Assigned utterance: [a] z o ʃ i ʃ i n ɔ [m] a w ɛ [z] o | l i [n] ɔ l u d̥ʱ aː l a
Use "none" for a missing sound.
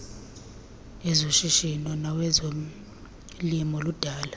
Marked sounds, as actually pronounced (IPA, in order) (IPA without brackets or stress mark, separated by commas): ɛ, n, z, m